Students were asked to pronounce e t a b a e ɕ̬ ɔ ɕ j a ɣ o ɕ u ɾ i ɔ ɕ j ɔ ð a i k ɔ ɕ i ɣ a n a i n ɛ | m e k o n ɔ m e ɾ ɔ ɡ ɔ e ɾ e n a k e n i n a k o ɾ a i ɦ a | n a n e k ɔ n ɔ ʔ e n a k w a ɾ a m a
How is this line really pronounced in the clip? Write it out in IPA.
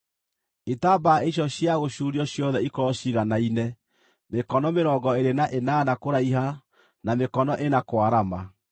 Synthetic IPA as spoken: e t a b a e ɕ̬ ɔ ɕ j a ɣ o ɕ u ɾ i ɔ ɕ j ɔ ð ɛ i k ɔ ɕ i ɣ a n a i n ɛ | m e k ɔ n ɔ m e ɾ ɔ ɡ ɔ e ɾ e n a ʔ e n a n a k o ɾ a i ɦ a | n a m e k ɔ n ɔ ʔ e n a k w a ɾ a m a